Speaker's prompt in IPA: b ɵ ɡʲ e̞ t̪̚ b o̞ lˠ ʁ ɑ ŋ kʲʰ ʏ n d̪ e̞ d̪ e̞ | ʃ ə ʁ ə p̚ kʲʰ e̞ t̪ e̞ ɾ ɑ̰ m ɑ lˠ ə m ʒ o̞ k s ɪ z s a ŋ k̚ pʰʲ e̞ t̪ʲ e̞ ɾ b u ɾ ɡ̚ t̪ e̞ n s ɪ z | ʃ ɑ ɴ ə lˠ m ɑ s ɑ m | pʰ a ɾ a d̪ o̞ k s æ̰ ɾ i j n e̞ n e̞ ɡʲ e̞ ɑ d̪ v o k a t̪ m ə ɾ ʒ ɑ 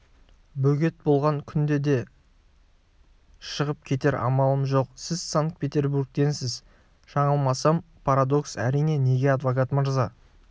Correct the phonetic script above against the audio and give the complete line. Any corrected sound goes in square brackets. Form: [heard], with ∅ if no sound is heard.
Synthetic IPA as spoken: b ɵ ɡʲ e̞ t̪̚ b o̞ lˠ ʁ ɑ ŋ kʲʰ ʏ n d̪ e̞ d̪ e̞ | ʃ ə ʁ ə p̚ kʲʰ e̞ t̪ e̞ ɾ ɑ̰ m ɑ lˠ ə m ʒ o̞ [q] s ɪ z s a ŋ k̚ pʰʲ e̞ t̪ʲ e̞ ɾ b u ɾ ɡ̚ t̪ e̞ n s ɪ z | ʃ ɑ ɴ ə lˠ m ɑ s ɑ m | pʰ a ɾ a d̪ o̞ k s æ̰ ɾ i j n e̞ n e̞ ɡʲ e̞ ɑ d̪ v o k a t̪ m ə ɾ [z] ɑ

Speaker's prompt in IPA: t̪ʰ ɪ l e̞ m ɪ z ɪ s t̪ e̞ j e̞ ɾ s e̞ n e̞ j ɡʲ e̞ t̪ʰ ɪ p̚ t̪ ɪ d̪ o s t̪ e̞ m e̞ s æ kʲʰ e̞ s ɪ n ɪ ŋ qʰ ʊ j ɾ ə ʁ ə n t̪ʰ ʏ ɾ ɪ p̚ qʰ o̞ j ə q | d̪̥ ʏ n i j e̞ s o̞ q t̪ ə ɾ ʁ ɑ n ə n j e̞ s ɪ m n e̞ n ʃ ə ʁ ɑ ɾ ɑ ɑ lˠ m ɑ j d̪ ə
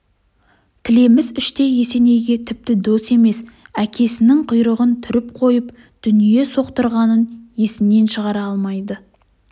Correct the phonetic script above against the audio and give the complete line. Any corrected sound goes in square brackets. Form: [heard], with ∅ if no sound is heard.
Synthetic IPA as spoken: t̪ʰ ɪ l e̞ m ɪ z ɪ [ʃ] t̪ e̞ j e̞ [∅] s e̞ n e̞ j ɡʲ e̞ t̪ʰ ɪ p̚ t̪ ɪ d̪ o s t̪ e̞ m e̞ s æ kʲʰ e̞ s ɪ n ɪ ŋ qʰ ʊ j ɾ ə ʁ ə n t̪ʰ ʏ ɾ ɪ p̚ qʰ o̞ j ə [p] | d̪̥ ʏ n i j e̞ s o̞ q t̪ ə ɾ ʁ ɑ n ə n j e̞ s ɪ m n e̞ n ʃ ə ʁ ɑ ɾ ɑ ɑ lˠ m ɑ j d̪ ə

